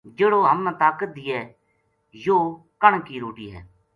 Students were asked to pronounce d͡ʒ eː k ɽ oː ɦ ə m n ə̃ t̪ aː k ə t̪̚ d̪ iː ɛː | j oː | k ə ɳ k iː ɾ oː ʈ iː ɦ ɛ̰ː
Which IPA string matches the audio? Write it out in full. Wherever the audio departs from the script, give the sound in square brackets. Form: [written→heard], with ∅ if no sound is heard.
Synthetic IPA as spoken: d͡ʒ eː [k→∅] ɽ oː ɦ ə m n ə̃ t̪ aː k ə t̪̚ d̪ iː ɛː | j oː | k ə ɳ k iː ɾ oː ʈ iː ɦ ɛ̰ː